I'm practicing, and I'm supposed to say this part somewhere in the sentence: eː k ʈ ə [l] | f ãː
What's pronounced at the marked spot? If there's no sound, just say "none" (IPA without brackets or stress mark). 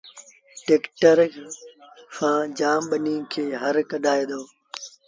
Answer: ɾ